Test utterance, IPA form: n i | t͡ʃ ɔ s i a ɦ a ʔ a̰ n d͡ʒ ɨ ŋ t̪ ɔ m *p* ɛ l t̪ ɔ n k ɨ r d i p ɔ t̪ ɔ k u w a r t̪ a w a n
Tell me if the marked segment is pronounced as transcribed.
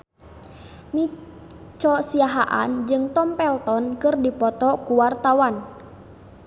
yes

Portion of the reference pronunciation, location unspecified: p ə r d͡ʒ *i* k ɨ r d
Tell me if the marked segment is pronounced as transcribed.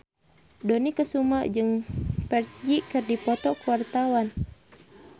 yes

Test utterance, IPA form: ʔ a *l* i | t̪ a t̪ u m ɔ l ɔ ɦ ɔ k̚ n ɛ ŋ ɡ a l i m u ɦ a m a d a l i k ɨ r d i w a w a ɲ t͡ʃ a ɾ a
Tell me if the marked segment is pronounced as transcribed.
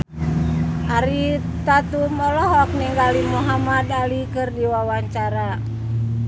no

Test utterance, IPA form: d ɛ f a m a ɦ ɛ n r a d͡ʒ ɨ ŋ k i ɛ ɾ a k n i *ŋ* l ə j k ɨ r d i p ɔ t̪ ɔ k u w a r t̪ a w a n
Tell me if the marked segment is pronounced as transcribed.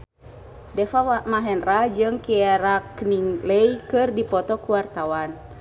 yes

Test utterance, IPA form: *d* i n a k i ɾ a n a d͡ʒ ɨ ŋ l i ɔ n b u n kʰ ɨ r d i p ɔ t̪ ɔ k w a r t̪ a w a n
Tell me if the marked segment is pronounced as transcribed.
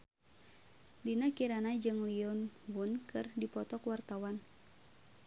yes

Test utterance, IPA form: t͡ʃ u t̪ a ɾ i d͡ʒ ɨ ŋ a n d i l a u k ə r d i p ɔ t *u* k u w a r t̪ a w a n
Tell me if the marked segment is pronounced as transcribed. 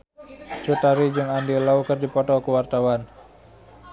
no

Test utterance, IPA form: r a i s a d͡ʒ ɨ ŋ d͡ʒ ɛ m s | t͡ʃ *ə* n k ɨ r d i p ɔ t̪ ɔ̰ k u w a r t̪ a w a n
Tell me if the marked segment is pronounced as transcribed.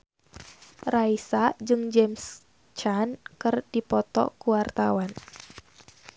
no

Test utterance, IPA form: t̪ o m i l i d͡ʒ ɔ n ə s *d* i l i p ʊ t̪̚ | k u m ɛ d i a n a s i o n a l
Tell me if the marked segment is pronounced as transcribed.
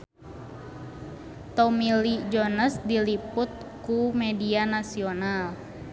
yes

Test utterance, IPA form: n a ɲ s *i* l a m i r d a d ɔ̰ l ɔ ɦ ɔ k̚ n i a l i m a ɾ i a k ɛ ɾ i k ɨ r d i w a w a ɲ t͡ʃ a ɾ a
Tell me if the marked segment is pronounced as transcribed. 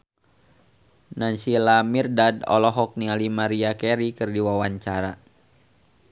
yes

